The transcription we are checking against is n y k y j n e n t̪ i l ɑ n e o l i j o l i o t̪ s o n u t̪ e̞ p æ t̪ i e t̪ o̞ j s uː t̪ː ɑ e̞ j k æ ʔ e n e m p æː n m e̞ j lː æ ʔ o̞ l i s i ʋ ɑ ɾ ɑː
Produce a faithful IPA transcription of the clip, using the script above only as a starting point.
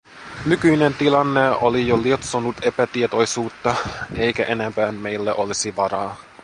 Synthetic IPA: n y k y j n e n t̪ i l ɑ nː e o l i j o l i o t̪ s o n u t̪ e̞ p æ t̪ i e t̪ o̞ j s uː t̪ː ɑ e̞ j k æ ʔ e n e m p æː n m e̞ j lː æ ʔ o̞ l i s i ʋ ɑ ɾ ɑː